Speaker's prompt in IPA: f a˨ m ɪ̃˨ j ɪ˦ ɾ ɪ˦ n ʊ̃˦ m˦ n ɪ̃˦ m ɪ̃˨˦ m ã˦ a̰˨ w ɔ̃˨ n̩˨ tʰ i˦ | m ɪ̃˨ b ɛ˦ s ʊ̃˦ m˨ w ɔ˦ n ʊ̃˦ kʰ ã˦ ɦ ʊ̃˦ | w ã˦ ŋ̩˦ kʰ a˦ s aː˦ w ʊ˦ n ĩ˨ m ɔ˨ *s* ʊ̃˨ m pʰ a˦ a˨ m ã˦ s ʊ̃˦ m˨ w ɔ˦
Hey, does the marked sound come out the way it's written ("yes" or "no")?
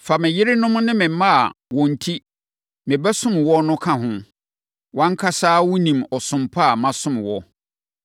yes